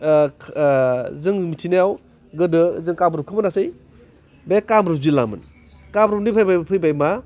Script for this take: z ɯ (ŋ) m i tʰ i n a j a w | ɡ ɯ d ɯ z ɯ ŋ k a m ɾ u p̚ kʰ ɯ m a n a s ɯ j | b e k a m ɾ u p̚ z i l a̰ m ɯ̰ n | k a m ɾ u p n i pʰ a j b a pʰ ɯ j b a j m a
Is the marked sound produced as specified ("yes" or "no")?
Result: yes